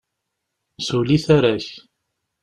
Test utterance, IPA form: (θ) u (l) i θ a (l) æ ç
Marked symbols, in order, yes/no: no, yes, no

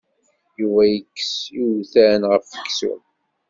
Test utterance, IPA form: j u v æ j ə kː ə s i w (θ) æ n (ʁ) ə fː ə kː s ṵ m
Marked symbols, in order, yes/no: yes, yes

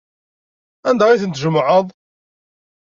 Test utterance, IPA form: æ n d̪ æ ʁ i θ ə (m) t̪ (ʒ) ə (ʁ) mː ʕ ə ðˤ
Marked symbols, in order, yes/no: no, yes, no

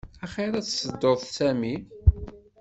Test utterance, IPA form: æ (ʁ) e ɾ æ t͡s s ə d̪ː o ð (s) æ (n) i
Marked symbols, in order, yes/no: no, yes, no

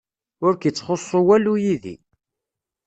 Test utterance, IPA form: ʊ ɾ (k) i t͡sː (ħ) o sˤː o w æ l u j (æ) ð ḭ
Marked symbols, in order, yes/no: yes, no, no

